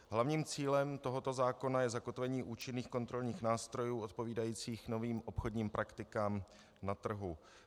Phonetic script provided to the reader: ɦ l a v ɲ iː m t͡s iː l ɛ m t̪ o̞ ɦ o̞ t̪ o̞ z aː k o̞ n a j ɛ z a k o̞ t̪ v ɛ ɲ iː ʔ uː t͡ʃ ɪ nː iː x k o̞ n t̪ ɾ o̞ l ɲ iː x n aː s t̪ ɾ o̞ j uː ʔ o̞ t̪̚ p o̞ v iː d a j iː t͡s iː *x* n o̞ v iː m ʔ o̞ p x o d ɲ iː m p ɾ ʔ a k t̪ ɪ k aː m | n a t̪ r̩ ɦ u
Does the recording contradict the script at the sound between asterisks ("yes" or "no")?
no